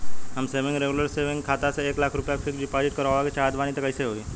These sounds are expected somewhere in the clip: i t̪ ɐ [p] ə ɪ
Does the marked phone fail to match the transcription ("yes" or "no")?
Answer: yes